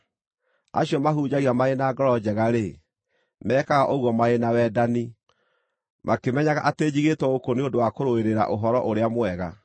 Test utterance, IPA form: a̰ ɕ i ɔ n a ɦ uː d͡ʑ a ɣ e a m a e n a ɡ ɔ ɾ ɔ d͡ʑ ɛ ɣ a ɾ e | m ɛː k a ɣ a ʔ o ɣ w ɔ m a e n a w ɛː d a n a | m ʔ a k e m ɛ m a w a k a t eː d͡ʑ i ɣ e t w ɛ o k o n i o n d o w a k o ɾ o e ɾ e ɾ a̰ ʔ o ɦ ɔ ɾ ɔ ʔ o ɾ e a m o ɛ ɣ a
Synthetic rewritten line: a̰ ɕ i ɔ m a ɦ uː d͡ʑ a ɣ i a m a e n a ɡ ɔ ɾ ɔ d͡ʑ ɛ ɣ a ɾ e | m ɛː k a ɣ a ʔ o ɣ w ɔ m a e n a w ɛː d a n i | m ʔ a k e m ɛ ɲ a ɣ a ʔ a t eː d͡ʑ i ɣ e t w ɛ o k o n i o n d o w a k o ɾ o e ɾ e ɾ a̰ ʔ o ɦ ɔ ɾ ɔ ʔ o ɾ e a m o ɛ ɣ a

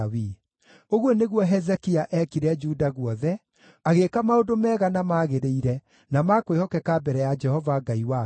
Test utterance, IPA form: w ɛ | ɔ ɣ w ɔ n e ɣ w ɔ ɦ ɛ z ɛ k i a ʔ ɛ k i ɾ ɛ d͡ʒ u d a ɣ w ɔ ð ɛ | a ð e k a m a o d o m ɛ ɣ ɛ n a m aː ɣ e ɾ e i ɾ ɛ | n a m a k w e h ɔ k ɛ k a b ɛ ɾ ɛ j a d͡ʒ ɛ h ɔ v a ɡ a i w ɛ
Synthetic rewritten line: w i | o ɣ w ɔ n e ɣ w ɔ ɦ ɛ z ɛ k i a ʔ ɛ k i ɾ ɛ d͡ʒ u d a ɣ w ɔ ð ɛ | a ɣ e k a m a o d o m ɛ ɣ a n a m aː ɣ e ɾ e i ɾ ɛ | n a m a k w e h ɔ k ɛ k a b ɛ ɾ ɛ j a d͡ʒ ɛ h ɔ v a ɡ a i w a

